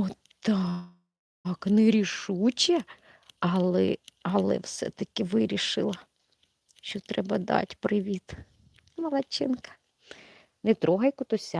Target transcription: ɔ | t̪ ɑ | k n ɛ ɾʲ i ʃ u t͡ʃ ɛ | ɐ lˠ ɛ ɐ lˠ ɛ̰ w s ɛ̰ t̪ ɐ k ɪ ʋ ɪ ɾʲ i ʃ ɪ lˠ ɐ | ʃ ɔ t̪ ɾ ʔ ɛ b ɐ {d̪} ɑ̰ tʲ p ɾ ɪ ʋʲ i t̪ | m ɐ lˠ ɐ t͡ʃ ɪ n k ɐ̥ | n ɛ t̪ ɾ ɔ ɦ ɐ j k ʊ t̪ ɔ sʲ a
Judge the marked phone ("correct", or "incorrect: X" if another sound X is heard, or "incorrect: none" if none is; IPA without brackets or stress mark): correct